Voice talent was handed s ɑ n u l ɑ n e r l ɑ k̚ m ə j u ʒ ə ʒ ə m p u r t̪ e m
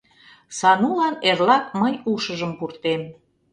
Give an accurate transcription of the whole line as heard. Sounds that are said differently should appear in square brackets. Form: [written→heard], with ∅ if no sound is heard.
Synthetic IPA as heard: s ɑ n u l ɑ n e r l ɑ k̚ m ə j u [ʒ→ʃ] ə ʒ ə m p u r t̪ e m